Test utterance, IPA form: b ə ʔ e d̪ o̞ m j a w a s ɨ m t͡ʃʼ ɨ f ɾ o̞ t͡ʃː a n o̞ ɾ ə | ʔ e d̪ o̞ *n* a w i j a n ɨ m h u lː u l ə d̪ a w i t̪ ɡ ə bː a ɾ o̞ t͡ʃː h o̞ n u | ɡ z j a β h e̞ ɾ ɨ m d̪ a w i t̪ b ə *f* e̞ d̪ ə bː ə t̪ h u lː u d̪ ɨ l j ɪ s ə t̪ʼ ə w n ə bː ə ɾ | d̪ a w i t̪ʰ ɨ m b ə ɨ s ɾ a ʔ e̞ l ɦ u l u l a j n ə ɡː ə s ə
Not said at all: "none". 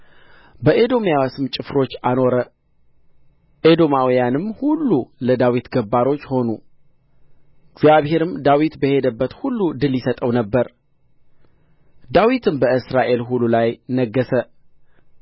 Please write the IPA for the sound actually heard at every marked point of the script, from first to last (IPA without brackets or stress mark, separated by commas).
m, h